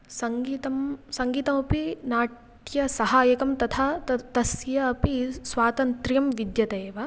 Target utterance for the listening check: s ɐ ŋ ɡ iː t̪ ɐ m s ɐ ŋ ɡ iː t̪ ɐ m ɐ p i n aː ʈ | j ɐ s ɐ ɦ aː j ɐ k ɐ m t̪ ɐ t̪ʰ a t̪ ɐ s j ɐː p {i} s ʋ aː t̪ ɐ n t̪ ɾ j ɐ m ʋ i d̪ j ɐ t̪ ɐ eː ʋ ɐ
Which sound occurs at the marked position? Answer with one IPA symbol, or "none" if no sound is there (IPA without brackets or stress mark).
i